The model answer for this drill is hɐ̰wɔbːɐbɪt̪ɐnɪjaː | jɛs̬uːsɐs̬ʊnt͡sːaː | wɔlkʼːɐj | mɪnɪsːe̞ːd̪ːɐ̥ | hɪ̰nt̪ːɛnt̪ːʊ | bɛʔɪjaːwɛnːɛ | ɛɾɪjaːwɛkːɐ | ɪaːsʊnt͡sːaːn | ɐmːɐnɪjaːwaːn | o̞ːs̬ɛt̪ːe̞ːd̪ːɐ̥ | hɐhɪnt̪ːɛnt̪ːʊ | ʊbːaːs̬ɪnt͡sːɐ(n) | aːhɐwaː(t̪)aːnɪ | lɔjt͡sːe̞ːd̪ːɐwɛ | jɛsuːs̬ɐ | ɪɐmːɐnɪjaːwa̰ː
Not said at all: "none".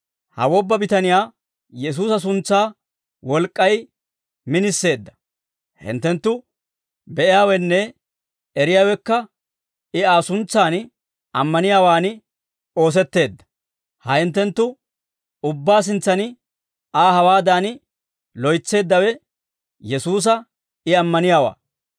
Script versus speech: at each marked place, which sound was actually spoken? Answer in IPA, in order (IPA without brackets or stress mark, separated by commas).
n, d̪